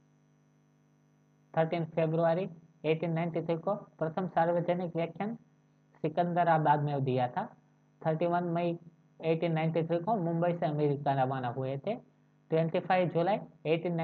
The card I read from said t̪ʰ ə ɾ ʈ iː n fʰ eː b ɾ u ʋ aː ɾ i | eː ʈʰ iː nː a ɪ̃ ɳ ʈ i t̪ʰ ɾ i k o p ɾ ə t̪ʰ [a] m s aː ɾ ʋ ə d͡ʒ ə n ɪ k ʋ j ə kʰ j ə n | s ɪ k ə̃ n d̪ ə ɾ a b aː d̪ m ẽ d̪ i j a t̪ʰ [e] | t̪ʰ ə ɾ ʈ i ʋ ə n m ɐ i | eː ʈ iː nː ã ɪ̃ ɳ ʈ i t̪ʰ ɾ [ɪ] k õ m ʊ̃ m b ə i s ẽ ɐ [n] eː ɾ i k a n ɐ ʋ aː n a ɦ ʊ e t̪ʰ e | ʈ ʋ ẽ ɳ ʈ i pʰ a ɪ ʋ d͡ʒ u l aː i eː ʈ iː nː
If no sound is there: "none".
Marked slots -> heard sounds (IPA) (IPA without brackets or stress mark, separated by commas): ə, a, i, m